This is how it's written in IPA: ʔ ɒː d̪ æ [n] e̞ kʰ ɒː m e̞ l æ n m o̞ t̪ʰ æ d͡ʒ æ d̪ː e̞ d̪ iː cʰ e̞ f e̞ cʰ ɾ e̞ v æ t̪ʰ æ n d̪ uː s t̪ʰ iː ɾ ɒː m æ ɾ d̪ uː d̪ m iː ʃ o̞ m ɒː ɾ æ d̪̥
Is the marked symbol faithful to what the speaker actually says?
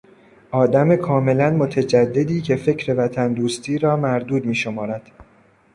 no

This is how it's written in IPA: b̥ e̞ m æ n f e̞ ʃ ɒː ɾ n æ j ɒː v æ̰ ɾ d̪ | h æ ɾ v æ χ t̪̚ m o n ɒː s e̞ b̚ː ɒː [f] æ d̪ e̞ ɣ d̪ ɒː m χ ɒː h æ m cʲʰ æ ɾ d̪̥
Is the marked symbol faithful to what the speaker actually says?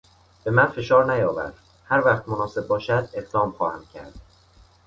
no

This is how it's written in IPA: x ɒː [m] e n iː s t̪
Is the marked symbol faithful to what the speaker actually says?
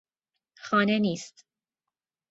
no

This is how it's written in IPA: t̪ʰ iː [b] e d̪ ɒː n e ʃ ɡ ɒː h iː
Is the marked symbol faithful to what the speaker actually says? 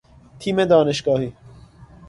no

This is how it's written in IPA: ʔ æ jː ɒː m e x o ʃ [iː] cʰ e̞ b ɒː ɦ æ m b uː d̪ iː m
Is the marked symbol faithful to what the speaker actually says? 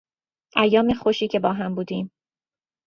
yes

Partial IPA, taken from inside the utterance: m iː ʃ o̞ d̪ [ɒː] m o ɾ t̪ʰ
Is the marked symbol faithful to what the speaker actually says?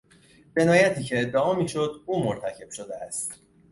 no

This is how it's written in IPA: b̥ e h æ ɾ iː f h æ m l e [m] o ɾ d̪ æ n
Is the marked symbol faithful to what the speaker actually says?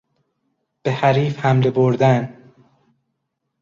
no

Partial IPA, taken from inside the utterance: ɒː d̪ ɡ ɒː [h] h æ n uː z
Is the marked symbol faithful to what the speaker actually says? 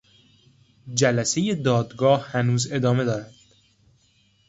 yes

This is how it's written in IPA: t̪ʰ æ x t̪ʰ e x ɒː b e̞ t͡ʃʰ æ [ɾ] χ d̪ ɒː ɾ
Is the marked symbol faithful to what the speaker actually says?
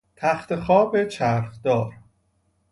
yes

